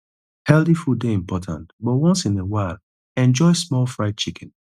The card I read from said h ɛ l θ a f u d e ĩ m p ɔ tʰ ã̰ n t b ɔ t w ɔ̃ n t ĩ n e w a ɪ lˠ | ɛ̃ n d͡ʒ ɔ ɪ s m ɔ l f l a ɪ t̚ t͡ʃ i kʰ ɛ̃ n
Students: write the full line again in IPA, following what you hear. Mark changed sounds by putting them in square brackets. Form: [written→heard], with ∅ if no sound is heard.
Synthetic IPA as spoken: h ɛ l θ [a→i] f u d e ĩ m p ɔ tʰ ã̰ n t b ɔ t w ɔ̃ n [t→s] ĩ n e w a ɪ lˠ | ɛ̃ n d͡ʒ ɔ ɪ s m ɔ l f [l→ɹ] a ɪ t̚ t͡ʃ i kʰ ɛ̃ n